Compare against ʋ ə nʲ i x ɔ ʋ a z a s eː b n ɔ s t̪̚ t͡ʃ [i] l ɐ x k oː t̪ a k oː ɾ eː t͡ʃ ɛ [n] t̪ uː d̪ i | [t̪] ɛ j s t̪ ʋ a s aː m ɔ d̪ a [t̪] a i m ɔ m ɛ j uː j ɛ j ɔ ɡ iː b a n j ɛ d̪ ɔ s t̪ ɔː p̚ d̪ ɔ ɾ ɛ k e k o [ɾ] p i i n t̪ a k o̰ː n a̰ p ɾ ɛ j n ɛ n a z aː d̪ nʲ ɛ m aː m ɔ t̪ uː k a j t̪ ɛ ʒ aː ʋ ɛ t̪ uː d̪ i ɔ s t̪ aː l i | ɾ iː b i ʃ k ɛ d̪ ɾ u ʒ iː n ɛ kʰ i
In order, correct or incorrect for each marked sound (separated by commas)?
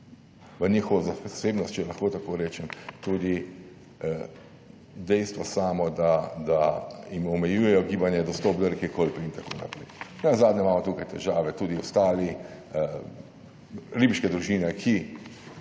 incorrect, incorrect, incorrect, incorrect, incorrect